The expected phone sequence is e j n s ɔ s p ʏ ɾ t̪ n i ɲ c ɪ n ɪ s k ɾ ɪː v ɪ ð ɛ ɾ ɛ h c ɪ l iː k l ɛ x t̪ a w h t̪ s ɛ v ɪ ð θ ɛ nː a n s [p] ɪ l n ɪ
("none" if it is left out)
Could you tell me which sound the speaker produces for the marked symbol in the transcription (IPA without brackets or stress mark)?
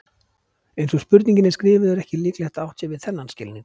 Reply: c